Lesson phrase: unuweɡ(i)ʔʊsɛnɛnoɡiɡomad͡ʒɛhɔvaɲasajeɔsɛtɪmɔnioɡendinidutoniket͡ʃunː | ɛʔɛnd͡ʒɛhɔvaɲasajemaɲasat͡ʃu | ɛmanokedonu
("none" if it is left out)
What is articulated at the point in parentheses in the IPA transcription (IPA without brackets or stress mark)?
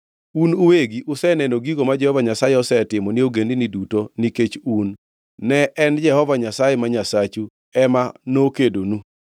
i